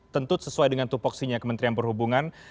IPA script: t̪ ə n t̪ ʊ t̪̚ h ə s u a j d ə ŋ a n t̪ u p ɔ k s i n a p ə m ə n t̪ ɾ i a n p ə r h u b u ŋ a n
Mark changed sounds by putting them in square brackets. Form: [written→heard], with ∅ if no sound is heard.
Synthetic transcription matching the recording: t̪ ə n t̪ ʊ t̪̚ [h→s] ə s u a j d ə ŋ a n t̪ u p ɔ k s i [n→ɲ] a [p→k] ə m ə n t̪ ɾ i a n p ə r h u b u ŋ a n

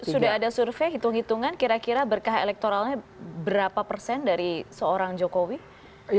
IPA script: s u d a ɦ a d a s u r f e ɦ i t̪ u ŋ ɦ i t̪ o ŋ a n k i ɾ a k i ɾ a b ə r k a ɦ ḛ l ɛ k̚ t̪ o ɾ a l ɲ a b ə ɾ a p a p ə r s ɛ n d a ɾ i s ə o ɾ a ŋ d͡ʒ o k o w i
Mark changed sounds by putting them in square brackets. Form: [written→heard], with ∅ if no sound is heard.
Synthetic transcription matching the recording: s u d a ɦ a d a s u r f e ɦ i t̪ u ŋ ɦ i t̪ [o→u] ŋ a n k i ɾ a k i ɾ a b ə r k a ɦ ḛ l ɛ k̚ t̪ o ɾ a l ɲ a b ə ɾ a p a p ə r s ɛ n d a ɾ i s ə o ɾ a ŋ d͡ʒ o k o w i

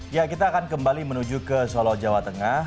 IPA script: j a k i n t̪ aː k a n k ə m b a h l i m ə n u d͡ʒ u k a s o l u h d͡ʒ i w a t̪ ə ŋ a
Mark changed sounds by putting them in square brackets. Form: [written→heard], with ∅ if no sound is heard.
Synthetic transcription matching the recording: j a k i [n→∅] t̪ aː k a n k ə m b a [h→∅] l i m ə n u d͡ʒ u k [a→ə] s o l [u→ɔ] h d͡ʒ [i→a] w a t̪ ə ŋ a

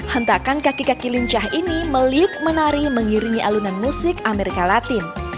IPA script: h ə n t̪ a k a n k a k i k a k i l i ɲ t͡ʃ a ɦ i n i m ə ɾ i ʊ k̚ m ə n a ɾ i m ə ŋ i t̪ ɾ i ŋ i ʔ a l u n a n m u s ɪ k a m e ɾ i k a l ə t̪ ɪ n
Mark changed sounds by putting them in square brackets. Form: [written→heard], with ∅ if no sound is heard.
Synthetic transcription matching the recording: h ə n t̪ a k a n k a k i k a k i l i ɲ t͡ʃ a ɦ i n i m ə [ɾ→l] i ʊ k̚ m ə n a ɾ i m ə ŋ i [t̪→∅] ɾ i ŋ i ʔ a l u n a n m u s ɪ k a m e ɾ i k a l [ə→a] t̪ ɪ n

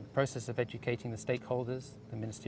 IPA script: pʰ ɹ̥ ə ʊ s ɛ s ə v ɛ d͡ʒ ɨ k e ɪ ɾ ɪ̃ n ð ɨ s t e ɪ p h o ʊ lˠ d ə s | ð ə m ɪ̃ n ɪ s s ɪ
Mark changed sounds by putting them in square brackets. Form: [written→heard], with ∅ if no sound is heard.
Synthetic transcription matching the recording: pʰ ɹ̥ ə ʊ s ɛ s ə v ɛ d͡ʒ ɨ [k→kʰ] e ɪ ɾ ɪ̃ [n→ŋ] ð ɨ s t e ɪ [p→k] h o ʊ lˠ d ə [s→z] | ð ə m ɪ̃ n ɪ s [s→t] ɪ

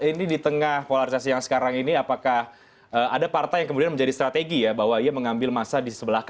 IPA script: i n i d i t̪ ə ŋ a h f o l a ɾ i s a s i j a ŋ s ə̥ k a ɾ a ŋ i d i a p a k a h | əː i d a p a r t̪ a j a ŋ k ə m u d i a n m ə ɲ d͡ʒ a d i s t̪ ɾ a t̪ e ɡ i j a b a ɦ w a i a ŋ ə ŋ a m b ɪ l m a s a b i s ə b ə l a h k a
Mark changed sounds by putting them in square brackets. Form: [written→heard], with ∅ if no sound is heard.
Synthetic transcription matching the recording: i n i d i t̪ ə ŋ a h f o l a ɾ i s a s i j a ŋ s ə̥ k a ɾ a ŋ i [d→n] i a p a k a h | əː [i→a] d a p a r t̪ a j a ŋ k ə m u d i a n m ə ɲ d͡ʒ a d i s t̪ ɾ a t̪ e ɡ i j a b a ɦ w a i a [ŋ→m] ə ŋ a m b ɪ l m a s a [b→d] i s ə b ə l a h k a

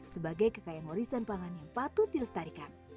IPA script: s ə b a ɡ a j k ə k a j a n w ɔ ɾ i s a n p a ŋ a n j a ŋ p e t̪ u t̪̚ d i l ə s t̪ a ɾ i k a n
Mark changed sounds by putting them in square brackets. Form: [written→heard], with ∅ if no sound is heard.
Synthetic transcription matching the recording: s ə b a ɡ a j k ə k a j a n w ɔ ɾ i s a n p a ŋ a n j a ŋ p [e→a] t̪ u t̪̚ d i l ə s t̪ a ɾ i k a n

